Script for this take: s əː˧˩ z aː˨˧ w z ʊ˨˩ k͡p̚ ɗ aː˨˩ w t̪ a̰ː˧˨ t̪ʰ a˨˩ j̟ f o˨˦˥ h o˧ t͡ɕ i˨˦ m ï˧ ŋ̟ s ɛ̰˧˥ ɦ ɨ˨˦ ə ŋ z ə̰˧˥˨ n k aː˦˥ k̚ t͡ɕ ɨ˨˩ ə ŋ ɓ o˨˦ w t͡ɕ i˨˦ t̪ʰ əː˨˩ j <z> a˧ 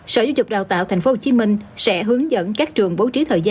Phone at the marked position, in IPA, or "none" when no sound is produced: z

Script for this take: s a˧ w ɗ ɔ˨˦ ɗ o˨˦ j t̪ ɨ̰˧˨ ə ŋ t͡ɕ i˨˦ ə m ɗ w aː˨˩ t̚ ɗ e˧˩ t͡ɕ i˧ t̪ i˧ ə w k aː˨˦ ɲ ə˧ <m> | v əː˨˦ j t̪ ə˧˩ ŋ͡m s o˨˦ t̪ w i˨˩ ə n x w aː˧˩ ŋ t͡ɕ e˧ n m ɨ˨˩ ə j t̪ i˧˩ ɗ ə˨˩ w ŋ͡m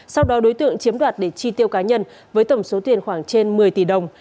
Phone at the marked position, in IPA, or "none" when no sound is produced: n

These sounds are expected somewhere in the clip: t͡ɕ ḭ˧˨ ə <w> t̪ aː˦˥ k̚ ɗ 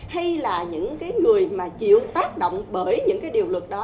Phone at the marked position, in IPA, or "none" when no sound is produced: w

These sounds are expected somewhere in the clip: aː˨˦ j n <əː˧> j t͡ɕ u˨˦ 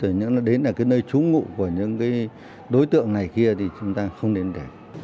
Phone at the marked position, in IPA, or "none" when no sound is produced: əː˧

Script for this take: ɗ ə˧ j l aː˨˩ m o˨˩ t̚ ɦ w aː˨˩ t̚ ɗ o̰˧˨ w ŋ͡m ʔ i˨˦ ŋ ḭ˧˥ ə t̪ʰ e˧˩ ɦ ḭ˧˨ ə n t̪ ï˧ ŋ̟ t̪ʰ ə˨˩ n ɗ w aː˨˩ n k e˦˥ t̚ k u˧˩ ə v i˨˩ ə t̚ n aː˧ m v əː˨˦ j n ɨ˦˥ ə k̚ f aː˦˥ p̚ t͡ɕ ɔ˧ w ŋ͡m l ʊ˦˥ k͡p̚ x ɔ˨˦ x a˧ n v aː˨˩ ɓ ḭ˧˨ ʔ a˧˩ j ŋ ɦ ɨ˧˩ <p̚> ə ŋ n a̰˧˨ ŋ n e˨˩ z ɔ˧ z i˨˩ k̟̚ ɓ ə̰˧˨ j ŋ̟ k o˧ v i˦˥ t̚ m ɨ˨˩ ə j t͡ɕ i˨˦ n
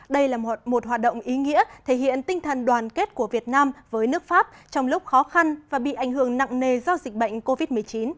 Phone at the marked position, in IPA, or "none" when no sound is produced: none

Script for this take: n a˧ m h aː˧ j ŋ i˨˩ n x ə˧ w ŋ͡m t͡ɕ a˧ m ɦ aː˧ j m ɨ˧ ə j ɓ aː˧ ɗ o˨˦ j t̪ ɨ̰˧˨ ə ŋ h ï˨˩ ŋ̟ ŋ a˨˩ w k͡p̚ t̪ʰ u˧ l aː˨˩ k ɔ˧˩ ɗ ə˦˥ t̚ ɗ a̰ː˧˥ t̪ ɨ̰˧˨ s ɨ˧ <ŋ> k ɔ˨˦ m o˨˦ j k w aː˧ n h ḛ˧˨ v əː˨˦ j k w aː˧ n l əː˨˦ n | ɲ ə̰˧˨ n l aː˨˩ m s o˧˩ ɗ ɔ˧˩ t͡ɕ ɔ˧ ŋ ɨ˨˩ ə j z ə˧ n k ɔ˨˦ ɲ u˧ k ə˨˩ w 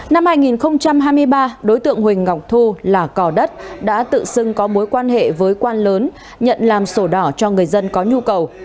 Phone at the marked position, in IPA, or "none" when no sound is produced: ŋ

